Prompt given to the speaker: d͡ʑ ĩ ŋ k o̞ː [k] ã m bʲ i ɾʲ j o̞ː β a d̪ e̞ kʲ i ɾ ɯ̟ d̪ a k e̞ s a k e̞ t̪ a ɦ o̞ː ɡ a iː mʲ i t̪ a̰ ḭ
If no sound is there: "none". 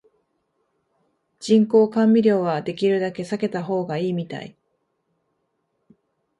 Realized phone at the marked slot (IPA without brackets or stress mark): k